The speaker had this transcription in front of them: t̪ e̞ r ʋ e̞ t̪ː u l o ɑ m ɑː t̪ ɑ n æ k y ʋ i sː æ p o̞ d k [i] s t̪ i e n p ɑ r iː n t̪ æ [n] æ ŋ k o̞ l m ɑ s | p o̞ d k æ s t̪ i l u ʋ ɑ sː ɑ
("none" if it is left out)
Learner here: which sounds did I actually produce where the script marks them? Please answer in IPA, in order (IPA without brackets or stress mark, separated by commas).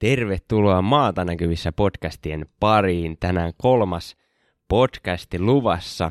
æ, n